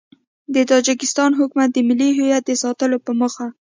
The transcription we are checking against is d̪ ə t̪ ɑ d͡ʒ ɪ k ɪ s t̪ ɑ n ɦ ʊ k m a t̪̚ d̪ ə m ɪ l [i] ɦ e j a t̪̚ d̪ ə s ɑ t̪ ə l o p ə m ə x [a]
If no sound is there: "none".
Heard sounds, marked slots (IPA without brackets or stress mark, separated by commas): i, a